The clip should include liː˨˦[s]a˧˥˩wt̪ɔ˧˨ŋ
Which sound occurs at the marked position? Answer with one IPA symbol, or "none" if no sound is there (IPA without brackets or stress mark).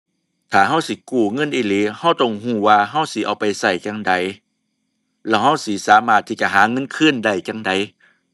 h